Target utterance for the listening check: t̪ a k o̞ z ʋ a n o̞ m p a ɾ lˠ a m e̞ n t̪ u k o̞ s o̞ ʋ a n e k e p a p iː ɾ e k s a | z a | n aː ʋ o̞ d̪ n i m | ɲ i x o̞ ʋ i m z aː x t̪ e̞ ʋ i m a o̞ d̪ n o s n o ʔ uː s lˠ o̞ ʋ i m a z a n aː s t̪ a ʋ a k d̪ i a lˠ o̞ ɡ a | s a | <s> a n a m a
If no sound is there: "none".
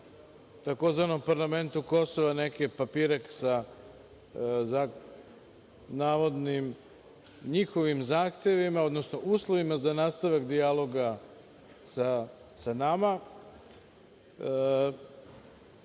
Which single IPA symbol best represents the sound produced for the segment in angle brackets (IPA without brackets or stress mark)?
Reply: s